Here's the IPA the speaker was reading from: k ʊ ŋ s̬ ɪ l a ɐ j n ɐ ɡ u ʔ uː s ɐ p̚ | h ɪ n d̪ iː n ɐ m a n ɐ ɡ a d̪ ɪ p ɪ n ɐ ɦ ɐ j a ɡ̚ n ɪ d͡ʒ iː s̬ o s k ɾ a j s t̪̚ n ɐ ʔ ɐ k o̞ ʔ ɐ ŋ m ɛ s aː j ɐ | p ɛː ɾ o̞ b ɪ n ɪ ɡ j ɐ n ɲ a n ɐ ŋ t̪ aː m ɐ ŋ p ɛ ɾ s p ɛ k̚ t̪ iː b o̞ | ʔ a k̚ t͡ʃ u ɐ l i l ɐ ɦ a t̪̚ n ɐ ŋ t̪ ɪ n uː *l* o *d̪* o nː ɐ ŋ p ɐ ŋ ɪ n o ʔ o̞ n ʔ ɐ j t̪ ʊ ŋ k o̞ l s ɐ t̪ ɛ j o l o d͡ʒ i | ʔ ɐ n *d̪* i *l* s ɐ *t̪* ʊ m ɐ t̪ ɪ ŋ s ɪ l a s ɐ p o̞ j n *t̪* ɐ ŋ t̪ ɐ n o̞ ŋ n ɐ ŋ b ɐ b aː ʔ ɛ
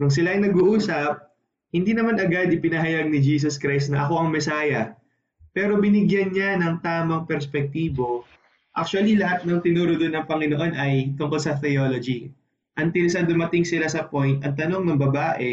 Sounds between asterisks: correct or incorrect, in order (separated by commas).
incorrect, correct, incorrect, correct, incorrect, correct